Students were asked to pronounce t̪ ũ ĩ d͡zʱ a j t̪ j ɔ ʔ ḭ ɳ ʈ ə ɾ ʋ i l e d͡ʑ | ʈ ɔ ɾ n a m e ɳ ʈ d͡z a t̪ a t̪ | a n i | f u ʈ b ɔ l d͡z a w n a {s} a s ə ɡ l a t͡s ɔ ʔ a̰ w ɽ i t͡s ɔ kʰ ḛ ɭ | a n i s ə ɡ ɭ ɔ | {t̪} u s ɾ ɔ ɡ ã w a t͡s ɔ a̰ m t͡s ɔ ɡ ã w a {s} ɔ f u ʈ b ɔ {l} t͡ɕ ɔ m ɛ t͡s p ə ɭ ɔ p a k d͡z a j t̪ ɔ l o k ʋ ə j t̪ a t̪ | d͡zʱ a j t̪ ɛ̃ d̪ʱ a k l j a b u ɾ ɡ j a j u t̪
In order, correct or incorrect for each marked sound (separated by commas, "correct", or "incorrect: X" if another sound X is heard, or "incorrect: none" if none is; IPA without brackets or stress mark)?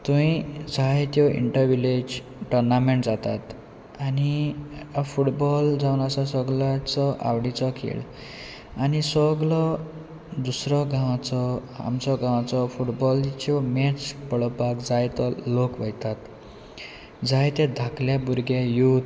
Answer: correct, incorrect: d̪, incorrect: t͡s, correct